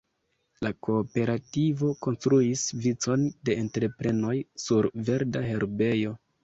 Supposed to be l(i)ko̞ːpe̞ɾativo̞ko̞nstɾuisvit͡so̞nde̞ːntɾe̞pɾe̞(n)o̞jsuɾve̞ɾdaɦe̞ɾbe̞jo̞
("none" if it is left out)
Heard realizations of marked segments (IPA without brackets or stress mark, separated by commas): a, n